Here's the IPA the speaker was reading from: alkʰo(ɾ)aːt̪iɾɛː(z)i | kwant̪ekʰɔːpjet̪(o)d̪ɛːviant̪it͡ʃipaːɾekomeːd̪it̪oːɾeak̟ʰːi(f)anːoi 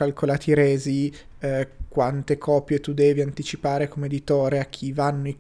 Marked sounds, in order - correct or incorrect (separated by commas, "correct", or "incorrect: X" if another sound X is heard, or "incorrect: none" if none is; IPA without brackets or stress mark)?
incorrect: l, correct, incorrect: u, incorrect: v